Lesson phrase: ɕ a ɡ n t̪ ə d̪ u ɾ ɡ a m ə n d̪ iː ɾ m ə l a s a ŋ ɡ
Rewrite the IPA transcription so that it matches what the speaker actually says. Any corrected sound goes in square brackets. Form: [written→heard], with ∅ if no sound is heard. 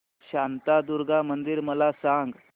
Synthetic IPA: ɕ a [ɡ→∅] n t̪ [ə→a] d̪ u ɾ ɡ a m ə n d̪ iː ɾ m ə l a s a ŋ ɡ